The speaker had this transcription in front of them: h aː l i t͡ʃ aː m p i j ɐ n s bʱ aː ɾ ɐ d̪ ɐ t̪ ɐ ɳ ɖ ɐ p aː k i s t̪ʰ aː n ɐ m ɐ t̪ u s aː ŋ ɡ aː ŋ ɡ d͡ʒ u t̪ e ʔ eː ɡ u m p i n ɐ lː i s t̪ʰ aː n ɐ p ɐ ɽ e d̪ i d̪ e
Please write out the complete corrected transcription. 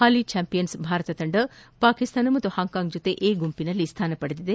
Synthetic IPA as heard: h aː l i t͡ʃ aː m p i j ɐ n s bʱ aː ɾ ɐ t̪ ɐ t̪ ɐ ɳ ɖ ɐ p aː k i s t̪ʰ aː n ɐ m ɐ t̪ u h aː ŋ k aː ŋ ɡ d͡ʒ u t̪ e ʔ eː ɡ u m p i n ɐ lː i s t̪ʰ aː n ɐ p ɐ ɽ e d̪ i d̪ e